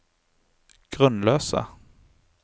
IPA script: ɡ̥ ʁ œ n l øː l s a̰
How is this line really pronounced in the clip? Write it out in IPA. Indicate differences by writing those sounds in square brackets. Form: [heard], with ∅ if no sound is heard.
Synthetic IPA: ɡ̥ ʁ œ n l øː [∅] s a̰

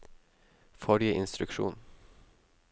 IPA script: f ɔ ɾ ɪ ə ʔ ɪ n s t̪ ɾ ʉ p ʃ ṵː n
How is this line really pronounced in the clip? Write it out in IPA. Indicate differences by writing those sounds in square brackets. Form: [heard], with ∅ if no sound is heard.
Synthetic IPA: f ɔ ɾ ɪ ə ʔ ɪ n s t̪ ɾ ʉ [k] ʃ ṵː n

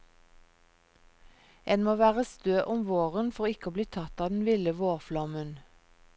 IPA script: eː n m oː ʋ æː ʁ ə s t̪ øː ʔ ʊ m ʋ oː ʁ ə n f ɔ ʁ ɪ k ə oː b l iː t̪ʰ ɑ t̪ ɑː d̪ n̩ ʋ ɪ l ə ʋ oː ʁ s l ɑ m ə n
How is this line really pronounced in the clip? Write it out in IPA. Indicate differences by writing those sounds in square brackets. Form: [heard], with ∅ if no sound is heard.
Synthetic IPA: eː n m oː ʋ æː ʁ ə s t̪ øː ʔ ʊ m ʋ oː ʁ ə n f ɔ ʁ ɪ k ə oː b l iː t̪ʰ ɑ t̪ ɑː d̪ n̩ ʋ ɪ l ə ʋ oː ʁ [f] l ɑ m ə n

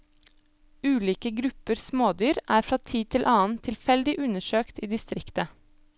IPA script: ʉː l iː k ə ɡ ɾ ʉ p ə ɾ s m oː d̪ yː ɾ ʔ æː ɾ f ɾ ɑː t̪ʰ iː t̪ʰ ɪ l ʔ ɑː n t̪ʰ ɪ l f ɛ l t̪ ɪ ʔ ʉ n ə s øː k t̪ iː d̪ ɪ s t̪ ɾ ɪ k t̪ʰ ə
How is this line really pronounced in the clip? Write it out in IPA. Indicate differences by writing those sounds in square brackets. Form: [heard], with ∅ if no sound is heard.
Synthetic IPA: ʉː l iː k ə ɡ ɾ ʉ p ə ɾ s m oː d̪ yː ɾ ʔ æː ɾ f ɾ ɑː t̪ʰ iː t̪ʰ ɪ l ʔ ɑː n t̪ʰ ɪ l f ɛ l [d̪] ɪ ʔ ʉ n ə [ʃ] øː k t̪ iː d̪ ɪ s t̪ ɾ ɪ k [t̪] ə

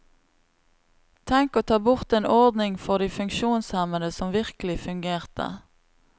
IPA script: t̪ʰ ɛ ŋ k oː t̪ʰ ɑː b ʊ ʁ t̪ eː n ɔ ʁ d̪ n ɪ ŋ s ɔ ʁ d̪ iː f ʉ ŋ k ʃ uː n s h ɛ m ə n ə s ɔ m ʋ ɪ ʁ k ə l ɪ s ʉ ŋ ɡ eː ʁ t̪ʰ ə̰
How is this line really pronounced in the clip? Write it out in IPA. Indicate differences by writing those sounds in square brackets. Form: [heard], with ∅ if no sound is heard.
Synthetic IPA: t̪ʰ ɛ ŋ k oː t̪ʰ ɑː b ʊ ʁ t̪ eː n ɔ ʁ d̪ n ɪ ŋ [f] ɔ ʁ d̪ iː f ʉ ŋ k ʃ uː n s h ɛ m ə n ə s ɔ m ʋ ɪ ʁ k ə l ɪ [f] ʉ ŋ ɡ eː ʁ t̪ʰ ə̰

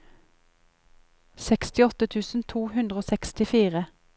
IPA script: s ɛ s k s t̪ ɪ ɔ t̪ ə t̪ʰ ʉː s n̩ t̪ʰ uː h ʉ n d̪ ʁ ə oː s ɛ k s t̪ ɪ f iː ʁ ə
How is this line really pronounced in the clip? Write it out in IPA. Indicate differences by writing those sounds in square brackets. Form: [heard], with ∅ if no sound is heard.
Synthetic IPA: s ɛ [∅] k s t̪ ɪ ɔ t̪ ə t̪ʰ ʉː s n̩ t̪ʰ uː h ʉ n d̪ ʁ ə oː s ɛ k s t̪ ɪ f iː ʁ ə

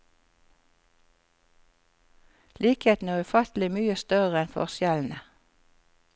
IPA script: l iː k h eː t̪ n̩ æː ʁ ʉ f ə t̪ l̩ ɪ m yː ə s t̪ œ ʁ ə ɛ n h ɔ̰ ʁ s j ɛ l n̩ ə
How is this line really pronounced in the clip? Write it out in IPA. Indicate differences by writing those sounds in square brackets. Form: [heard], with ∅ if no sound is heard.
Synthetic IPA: l iː k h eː t̪ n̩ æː ʁ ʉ f [ɑ] t̪ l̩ ɪ m yː ə s t̪ œ ʁ ə ɛ n [f] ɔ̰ ʁ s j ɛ l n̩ ə

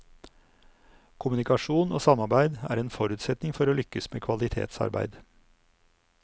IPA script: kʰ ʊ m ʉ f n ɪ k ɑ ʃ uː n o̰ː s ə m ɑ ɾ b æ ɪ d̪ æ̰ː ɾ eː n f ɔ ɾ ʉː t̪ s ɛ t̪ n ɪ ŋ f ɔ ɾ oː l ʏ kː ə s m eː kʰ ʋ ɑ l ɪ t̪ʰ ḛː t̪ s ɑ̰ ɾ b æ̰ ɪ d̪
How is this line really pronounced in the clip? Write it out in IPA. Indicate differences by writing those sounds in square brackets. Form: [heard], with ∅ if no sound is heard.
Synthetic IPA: kʰ ʊ m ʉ [∅] n ɪ k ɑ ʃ uː n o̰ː s [ɑ] m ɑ ɾ b æ ɪ d̪ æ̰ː ɾ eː n f ɔ ɾ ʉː t̪ s ɛ t̪ n ɪ ŋ f ɔ ɾ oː l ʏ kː ə s m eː kʰ ʋ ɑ l ɪ t̪ʰ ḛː t̪ s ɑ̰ ɾ b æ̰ ɪ d̪

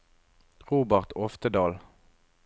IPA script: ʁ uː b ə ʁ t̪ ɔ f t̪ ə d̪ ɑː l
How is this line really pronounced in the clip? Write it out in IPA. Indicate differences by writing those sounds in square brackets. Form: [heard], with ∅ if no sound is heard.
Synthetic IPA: ʁ uː b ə ʁ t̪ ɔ f t̪ ə d̪ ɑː l

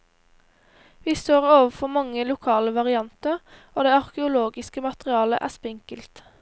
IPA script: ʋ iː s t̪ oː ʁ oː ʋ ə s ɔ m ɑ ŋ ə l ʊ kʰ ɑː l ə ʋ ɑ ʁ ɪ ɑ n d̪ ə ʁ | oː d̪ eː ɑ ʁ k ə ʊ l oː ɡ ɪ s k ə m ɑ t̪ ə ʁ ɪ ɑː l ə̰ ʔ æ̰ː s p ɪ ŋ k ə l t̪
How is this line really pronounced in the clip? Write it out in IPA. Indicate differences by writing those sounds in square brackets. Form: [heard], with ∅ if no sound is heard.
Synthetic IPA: ʋ iː s t̪ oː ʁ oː ʋ ə [f] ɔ m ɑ ŋ ə l ʊ kʰ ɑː l ə ʋ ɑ ʁ ɪ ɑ n [t̪] ə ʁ | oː d̪ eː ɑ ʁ k ə ʊ l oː ɡ ɪ s k ə m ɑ t̪ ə ʁ ɪ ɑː l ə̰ ʔ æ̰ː s p ɪ ŋ k ə l t̪

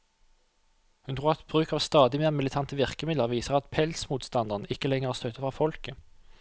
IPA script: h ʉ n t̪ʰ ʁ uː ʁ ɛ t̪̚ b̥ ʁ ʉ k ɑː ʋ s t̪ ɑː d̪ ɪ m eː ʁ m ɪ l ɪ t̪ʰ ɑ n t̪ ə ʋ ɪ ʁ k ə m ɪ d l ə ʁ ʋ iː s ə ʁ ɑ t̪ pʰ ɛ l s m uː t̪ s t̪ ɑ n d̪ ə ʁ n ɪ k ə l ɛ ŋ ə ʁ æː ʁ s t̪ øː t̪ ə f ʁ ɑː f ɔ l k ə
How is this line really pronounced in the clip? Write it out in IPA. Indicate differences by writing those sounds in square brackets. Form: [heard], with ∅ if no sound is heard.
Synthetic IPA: h ʉ n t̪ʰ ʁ uː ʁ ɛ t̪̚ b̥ ʁ [ʉː] k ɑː ʋ s t̪ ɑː d̪ ɪ m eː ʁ m ɪ l ɪ t̪ʰ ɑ n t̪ ə ʋ ɪ ʁ k ə m ɪ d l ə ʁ ʋ iː s ə ʁ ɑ t̪ pʰ ɛ l s m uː t̪ s t̪ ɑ n d̪ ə ʁ n ɪ k ə l ɛ ŋ ə ʁ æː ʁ s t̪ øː t̪ ə f ʁ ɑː f ɔ l k ə

